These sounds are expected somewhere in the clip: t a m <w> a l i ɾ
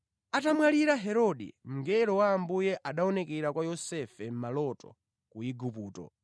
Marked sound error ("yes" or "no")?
no